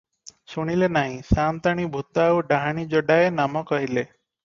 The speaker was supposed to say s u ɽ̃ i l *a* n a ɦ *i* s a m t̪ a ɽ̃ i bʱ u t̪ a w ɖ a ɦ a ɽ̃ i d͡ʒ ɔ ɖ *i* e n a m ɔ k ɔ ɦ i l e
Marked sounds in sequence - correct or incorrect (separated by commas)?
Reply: incorrect, incorrect, incorrect